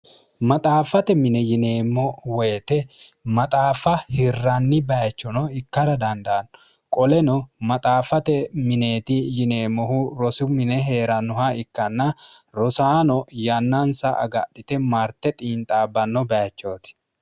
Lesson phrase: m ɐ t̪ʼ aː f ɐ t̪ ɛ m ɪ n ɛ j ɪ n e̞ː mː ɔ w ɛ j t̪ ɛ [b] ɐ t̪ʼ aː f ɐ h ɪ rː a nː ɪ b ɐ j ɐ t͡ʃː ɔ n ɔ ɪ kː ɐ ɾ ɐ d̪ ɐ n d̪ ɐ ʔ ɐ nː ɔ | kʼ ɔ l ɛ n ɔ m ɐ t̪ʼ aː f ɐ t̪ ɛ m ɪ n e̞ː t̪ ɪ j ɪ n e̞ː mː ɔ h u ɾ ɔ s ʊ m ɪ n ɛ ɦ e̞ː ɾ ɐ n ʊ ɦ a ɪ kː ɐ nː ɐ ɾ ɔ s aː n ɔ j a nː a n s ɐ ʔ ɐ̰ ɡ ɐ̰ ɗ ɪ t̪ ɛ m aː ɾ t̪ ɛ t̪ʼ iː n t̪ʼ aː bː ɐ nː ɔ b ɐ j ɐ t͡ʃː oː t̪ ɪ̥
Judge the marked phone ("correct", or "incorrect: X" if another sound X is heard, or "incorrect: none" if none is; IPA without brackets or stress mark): incorrect: m